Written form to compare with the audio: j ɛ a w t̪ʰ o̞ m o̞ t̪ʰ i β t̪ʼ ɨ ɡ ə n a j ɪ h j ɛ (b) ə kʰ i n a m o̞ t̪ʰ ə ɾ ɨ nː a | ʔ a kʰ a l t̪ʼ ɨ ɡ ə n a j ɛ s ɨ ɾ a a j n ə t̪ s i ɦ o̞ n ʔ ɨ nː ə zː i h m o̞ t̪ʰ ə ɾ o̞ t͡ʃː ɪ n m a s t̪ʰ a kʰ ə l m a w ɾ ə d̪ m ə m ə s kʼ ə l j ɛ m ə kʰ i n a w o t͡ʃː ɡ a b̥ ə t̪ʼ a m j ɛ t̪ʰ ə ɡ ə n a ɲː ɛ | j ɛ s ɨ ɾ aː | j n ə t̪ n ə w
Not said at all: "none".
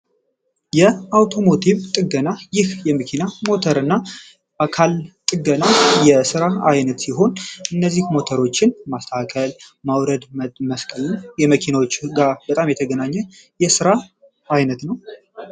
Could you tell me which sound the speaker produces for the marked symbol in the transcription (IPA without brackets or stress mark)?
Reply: m